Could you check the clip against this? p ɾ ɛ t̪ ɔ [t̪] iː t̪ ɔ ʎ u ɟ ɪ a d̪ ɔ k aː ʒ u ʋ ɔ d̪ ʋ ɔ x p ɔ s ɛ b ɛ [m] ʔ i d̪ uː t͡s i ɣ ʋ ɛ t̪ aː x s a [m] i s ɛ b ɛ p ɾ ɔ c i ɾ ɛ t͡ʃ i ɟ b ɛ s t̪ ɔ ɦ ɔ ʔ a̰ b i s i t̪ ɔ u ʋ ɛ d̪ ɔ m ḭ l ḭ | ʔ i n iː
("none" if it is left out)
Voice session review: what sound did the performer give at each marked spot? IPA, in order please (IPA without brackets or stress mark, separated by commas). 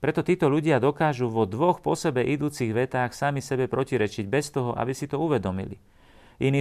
t̪, none, m